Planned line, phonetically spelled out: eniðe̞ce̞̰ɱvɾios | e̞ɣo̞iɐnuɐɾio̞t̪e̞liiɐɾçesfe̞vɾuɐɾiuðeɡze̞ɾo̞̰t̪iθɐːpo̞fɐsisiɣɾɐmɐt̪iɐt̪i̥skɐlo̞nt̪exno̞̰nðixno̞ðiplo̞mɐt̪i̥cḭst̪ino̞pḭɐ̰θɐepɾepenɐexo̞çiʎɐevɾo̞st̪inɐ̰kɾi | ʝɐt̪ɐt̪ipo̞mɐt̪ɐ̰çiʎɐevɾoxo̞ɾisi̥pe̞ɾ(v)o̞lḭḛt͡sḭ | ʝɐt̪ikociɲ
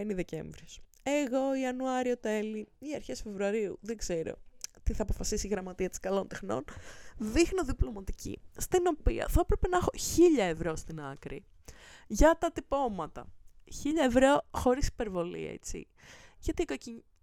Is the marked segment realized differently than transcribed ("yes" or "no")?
no